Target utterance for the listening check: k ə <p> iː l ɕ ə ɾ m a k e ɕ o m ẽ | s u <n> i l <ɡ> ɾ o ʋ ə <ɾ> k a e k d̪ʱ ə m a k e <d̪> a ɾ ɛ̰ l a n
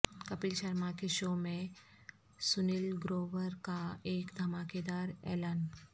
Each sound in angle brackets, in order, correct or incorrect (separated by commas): correct, correct, correct, correct, correct